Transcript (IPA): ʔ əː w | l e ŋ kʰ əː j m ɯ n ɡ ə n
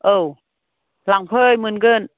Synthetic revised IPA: ʔ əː w | l a ŋ pʰ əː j m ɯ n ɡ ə n